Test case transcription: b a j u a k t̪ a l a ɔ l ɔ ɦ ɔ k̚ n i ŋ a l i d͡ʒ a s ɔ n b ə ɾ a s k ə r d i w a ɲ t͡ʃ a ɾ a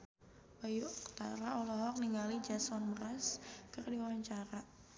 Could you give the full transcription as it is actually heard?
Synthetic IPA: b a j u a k t̪ a ɾ a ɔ l ɔ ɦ ɔ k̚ n i ŋ a l i d͡ʒ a s ɔ n b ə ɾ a s k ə r d i w a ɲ t͡ʃ a ɾ a